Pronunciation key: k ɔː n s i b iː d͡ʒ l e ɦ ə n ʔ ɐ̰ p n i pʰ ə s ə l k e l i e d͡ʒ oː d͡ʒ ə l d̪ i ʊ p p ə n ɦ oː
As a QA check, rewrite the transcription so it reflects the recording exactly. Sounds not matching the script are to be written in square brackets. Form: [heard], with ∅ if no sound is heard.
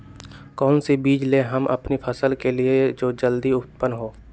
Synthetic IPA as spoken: k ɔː n s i b iː d͡ʒ l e ɦ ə [m] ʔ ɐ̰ p n i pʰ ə s ə l k e l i e d͡ʒ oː d͡ʒ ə l d̪ i ʊ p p ə n ɦ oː